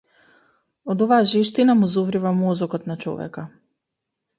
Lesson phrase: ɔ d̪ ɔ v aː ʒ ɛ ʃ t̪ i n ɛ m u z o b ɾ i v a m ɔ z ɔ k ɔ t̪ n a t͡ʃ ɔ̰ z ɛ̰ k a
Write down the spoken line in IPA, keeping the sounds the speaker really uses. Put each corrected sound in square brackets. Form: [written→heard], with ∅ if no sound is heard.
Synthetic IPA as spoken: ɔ d̪ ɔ v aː ʒ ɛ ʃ t̪ i n [ɛ→a] m u z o [b→v] ɾ i v a m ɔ z ɔ k ɔ t̪ n a t͡ʃ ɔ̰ [z→v] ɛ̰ k a